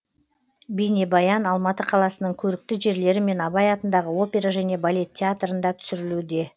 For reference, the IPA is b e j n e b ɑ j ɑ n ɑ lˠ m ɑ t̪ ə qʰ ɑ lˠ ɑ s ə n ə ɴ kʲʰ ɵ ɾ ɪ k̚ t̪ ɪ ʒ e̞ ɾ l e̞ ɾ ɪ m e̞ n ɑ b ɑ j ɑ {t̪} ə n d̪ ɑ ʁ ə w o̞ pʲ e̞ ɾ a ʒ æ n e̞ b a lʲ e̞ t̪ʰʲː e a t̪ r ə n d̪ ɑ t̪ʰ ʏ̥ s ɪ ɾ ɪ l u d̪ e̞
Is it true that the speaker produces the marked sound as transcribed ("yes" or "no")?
yes